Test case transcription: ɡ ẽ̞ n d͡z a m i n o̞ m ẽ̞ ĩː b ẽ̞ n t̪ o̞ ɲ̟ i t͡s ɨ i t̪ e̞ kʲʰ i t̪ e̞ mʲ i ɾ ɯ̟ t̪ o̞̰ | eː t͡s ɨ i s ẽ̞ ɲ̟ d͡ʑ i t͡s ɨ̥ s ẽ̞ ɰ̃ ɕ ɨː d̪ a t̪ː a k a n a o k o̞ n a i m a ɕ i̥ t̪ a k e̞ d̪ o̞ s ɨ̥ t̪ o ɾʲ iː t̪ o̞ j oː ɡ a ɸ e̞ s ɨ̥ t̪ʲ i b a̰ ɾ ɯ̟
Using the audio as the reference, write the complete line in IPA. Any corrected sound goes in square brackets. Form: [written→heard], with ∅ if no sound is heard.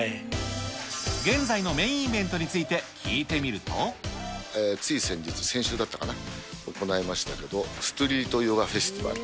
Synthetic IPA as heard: ɡ ẽ̞ n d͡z a [m→∅] i n o̞ m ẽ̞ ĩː b ẽ̞ n t̪ o̞ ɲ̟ i t͡s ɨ i t̪ e̞ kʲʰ [i→iː] t̪ e̞ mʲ i ɾ ɯ̟ t̪ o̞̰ | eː t͡s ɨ i s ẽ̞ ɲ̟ d͡ʑ i t͡s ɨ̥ s ẽ̞ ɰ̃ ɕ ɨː d̪ a t̪ː a k a n a o k o̞ n a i m a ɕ i̥ t̪ a k e̞ d̪ o̞ s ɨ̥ t̪ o ɾʲ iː t̪ o̞ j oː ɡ a ɸ e̞ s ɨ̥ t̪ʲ i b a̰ ɾ ɯ̟